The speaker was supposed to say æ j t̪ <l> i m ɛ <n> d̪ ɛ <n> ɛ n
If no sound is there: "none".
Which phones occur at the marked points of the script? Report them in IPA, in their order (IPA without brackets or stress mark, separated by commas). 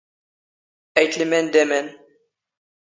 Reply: l, n, m